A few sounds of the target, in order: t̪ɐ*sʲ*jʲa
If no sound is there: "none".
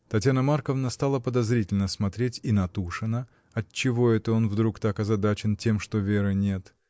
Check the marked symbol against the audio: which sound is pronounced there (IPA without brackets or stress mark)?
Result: tʲ